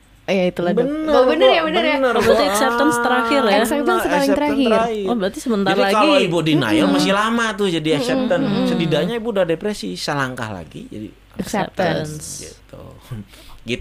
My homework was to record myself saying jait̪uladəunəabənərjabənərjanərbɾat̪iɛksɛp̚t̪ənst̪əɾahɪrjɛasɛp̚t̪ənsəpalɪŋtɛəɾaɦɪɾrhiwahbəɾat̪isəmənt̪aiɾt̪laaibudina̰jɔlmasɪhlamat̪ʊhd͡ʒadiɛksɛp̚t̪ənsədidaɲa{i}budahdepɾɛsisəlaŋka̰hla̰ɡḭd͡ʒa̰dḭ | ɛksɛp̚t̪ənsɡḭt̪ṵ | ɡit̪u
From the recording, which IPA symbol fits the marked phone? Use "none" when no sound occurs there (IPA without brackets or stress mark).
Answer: i